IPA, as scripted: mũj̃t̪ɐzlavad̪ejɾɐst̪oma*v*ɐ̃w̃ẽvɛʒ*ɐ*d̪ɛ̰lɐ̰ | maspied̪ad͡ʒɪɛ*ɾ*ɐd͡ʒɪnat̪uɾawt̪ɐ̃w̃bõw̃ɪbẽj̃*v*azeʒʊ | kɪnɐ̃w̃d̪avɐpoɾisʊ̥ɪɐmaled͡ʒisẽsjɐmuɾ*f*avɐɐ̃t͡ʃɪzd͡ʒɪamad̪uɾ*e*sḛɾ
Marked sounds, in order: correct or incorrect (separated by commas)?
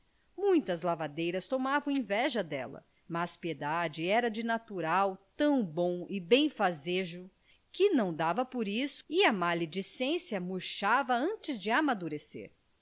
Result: correct, correct, correct, incorrect, incorrect, correct